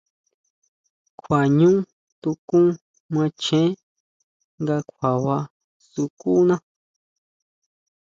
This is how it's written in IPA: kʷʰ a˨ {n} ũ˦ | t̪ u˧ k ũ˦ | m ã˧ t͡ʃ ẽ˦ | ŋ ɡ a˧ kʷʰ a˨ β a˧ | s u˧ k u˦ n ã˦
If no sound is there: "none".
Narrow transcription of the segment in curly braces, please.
ɲ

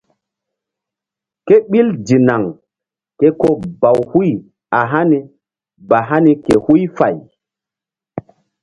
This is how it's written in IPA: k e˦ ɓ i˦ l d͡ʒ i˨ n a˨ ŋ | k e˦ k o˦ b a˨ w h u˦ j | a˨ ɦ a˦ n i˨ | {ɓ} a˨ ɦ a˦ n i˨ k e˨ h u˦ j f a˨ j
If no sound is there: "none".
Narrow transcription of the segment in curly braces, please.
b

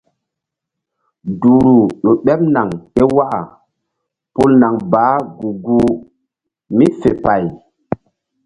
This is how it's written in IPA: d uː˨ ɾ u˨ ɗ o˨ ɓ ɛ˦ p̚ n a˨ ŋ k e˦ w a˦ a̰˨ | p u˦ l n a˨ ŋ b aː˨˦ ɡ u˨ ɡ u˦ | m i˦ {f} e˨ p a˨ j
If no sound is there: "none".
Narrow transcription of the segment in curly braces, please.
f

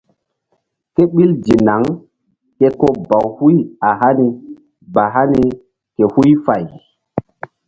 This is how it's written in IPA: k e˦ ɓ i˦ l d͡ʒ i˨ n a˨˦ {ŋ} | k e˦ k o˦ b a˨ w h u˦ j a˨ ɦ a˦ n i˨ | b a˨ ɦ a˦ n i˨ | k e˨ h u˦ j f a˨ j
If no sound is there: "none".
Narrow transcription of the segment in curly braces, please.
ŋ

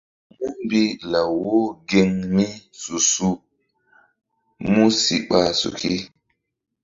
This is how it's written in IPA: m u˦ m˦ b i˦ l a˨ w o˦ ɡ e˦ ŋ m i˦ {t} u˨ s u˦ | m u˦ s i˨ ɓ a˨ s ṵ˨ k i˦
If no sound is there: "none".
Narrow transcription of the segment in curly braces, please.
s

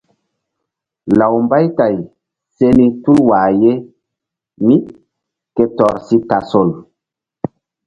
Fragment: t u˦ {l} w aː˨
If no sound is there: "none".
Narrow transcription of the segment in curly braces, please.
l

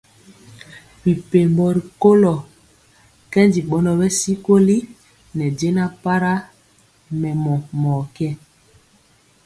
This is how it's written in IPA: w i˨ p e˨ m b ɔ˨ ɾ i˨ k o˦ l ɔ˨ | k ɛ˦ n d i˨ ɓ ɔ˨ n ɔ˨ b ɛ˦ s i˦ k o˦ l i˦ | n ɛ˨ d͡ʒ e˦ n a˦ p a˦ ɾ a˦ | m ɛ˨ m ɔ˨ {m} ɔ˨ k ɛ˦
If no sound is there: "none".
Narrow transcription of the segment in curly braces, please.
m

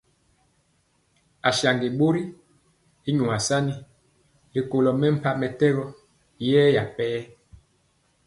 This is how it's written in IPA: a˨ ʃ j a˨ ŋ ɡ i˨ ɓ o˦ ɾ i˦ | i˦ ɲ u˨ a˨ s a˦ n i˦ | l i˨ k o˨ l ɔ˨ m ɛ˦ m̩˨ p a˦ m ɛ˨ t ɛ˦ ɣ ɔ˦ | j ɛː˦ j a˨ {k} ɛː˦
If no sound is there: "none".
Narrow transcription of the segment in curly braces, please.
p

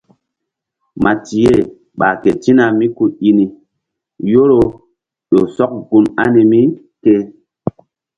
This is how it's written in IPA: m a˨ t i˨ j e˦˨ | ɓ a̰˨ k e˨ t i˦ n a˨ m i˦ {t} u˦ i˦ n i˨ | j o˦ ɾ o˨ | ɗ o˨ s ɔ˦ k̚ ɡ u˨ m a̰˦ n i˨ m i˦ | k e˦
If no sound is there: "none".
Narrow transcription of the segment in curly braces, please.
k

